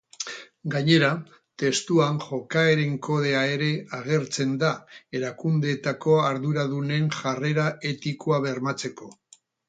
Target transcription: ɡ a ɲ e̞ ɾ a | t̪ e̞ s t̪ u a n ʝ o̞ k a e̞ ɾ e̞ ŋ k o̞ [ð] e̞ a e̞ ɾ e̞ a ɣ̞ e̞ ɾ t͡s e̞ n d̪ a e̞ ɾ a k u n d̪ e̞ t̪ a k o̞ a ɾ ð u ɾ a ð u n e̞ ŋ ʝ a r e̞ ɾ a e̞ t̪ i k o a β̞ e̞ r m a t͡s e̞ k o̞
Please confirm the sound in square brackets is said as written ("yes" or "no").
yes